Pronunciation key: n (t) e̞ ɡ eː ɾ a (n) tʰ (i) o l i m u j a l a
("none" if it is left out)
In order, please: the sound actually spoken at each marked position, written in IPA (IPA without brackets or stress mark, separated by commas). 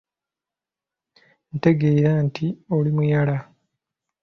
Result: t, n, i